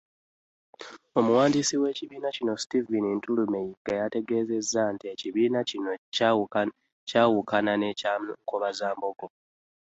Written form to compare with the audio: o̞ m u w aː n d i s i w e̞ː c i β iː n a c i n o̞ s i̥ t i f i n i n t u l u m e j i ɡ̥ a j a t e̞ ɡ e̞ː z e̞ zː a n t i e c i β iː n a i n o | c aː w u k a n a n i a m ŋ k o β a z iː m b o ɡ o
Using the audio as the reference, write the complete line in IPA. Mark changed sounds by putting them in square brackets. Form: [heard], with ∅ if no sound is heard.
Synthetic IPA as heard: o̞ m u w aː n d i s i w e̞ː c i β iː n a c i n o̞ s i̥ t i [v] i n i n t u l u m e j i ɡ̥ a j a t e̞ ɡ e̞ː z e̞ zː a n t i e c i β iː n a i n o | c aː w u k a n a n [e] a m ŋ k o β a z [aː] m b o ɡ o